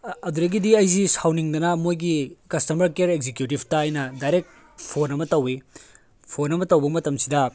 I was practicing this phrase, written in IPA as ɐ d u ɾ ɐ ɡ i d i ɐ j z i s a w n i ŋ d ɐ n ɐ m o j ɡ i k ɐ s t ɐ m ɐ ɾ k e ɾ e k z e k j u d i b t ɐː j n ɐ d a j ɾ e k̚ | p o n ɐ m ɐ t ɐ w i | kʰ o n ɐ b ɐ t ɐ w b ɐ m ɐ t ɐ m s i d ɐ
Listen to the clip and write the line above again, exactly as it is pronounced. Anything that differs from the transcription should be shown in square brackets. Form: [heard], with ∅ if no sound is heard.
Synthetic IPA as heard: ɐ d u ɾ ɐ ɡ i d i ɐ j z i s a w n i ŋ d ɐ n ɐ m o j ɡ i k ɐ s t ɐ m ɐ ɾ k e ɾ e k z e k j u [t] i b t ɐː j n ɐ d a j ɾ e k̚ | [pʰ] o n ɐ m ɐ t ɐ w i | [pʰ] o n ɐ [m] ɐ t ɐ w b ɐ m ɐ t ɐ m s i d ɐ